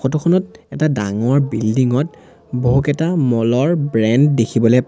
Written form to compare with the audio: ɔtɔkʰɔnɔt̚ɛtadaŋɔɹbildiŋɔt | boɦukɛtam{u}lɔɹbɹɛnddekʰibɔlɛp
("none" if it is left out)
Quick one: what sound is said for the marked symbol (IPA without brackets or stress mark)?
ɔ